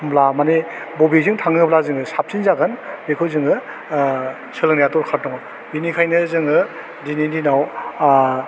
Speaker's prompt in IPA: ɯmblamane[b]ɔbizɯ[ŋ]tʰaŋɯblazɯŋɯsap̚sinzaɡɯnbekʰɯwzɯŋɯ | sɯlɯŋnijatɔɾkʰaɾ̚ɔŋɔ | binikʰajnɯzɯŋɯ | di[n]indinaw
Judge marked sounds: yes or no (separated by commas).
yes, yes, yes